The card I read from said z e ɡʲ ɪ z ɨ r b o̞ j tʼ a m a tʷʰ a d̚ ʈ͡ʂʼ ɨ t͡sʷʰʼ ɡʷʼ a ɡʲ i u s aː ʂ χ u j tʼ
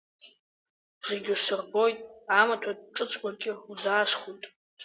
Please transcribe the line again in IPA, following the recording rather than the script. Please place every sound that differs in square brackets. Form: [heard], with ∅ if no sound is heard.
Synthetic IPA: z e ɡʲ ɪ [s] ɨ r b o̞ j tʼ a m a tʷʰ a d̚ ʈ͡ʂʼ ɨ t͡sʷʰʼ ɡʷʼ a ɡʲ [ɪ] u [z] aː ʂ χ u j tʼ